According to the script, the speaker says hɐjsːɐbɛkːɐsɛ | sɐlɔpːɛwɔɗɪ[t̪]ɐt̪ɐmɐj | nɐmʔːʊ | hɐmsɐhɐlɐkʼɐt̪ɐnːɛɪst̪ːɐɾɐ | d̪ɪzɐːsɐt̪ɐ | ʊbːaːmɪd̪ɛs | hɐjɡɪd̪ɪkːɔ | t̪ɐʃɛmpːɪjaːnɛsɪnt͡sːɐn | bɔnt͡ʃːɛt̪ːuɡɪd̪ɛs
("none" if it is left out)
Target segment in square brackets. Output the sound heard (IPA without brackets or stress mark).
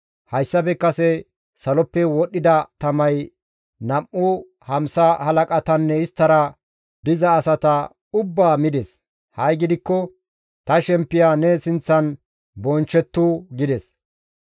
d̪